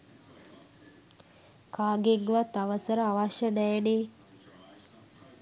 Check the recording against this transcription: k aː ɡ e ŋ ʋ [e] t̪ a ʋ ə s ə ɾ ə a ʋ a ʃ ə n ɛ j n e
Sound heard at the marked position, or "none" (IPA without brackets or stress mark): a